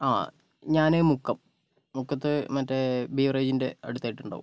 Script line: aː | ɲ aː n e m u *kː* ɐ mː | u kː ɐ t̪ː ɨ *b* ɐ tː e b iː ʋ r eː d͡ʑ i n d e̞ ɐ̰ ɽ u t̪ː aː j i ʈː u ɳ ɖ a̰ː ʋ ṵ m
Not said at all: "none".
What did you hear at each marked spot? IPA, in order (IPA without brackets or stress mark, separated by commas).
kː, m